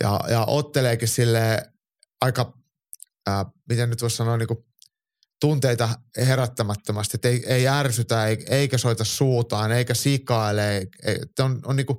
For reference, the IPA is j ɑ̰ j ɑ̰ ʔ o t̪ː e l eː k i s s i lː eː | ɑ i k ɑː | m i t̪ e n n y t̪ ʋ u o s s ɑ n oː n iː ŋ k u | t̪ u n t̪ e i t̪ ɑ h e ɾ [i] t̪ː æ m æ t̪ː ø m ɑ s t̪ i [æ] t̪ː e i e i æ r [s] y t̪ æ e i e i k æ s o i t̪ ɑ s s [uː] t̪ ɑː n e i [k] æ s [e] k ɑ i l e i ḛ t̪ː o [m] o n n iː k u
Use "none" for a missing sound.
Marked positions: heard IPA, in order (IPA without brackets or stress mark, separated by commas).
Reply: æ, e, s, uː, k, i, n